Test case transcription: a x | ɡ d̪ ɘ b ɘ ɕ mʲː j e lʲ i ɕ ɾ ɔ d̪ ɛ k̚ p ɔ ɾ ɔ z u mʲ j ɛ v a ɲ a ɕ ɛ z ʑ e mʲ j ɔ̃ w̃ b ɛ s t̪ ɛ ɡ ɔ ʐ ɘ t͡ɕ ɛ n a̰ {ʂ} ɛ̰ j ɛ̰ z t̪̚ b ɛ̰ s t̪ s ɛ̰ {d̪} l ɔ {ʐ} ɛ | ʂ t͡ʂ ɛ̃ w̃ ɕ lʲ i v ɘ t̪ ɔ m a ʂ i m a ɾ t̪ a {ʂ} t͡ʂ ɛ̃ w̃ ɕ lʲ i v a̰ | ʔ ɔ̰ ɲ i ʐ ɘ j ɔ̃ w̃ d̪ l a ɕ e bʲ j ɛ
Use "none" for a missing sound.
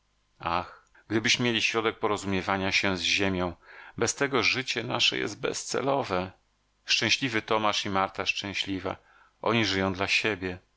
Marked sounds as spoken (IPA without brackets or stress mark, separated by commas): ʂ, none, v, ʂ